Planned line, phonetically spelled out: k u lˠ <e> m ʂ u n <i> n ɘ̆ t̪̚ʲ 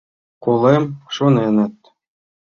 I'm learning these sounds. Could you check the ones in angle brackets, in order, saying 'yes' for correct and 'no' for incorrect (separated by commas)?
yes, no